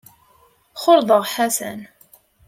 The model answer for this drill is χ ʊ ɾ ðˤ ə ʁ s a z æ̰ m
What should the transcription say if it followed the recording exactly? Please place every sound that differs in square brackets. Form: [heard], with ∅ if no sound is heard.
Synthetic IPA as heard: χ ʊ ɾ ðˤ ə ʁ [ħ] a [s] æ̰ [n]